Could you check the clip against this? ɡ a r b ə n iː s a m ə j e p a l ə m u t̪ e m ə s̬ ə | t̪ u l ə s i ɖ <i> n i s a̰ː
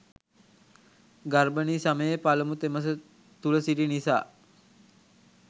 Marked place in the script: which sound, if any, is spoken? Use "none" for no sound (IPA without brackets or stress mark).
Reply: i